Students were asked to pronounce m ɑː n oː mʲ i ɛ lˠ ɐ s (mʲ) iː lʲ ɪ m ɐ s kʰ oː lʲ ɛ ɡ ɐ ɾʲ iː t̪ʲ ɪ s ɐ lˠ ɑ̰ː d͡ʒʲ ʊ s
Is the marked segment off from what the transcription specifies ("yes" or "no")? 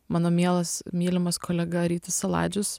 no